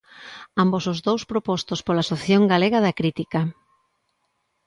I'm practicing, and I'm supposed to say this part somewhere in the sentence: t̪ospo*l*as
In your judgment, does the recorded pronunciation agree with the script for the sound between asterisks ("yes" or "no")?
yes